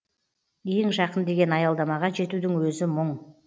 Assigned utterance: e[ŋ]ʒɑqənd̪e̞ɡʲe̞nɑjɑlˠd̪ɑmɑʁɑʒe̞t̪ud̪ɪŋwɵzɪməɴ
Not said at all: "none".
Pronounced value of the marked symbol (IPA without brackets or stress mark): ŋ